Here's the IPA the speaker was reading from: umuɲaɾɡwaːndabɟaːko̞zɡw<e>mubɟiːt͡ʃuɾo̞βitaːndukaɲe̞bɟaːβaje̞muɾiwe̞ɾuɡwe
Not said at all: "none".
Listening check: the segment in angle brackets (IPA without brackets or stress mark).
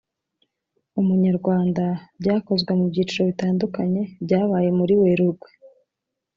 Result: e